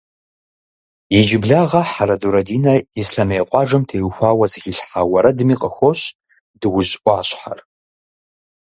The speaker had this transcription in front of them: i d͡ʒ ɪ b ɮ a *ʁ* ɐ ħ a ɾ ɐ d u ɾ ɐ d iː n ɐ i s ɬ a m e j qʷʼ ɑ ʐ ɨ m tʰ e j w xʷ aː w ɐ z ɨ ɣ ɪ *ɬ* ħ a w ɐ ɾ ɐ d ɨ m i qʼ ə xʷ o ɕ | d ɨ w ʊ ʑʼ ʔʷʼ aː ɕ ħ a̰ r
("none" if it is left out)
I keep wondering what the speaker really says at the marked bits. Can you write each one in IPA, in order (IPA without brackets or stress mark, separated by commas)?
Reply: ʁ, ɬ